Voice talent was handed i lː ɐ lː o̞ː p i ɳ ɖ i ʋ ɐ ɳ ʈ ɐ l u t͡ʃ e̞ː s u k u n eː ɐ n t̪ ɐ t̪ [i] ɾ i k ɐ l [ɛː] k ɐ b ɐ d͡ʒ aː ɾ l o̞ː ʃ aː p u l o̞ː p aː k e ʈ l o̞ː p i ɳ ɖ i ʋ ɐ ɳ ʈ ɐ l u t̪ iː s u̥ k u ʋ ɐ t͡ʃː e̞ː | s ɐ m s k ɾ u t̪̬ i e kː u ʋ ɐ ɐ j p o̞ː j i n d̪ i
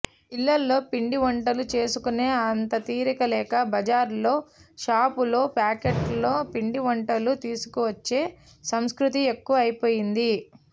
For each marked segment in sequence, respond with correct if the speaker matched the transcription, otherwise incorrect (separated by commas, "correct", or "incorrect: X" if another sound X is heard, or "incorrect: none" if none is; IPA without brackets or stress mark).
incorrect: iː, correct